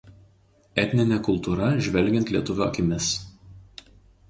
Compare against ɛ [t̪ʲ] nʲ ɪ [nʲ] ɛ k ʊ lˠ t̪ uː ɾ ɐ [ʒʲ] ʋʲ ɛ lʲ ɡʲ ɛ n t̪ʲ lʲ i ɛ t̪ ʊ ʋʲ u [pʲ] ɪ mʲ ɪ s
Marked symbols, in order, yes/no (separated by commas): yes, yes, yes, no